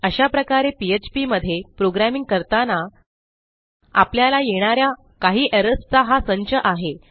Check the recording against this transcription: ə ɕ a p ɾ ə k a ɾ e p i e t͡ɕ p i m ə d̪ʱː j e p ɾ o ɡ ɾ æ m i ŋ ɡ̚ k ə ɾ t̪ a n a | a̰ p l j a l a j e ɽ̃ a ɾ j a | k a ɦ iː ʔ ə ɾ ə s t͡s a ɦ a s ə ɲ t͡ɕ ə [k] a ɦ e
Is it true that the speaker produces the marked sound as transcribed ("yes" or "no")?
no